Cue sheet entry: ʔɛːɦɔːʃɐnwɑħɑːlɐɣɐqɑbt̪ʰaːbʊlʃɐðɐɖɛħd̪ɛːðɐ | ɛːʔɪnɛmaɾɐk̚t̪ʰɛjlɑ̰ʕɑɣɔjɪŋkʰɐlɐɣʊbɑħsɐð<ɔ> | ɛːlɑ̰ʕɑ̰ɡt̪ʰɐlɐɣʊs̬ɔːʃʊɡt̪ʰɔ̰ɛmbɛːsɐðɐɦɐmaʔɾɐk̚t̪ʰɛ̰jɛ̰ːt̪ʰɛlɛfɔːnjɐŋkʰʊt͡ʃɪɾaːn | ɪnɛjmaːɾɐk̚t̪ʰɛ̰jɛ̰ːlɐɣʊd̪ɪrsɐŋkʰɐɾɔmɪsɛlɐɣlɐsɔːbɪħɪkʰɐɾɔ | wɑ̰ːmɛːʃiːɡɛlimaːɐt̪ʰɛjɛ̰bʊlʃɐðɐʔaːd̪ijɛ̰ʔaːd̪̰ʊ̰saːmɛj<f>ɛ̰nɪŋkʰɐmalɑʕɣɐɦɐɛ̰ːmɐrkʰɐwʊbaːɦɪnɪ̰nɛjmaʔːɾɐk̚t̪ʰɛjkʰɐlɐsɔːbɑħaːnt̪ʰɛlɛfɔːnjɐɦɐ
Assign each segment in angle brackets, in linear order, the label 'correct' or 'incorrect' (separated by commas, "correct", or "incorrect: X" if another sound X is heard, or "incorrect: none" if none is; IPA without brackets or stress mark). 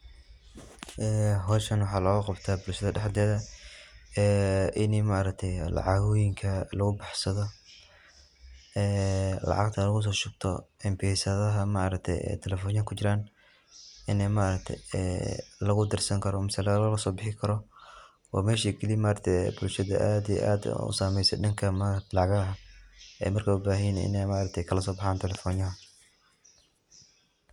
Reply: correct, incorrect: s